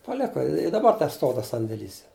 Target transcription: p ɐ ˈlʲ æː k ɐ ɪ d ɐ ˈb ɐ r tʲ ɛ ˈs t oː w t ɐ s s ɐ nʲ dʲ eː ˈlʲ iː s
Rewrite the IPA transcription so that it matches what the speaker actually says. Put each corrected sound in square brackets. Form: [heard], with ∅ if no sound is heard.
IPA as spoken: p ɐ ˈlʲ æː k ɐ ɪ d ɐ ˈb ɐ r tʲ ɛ ˈs t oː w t ɐ s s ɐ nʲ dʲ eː ˈlʲ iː s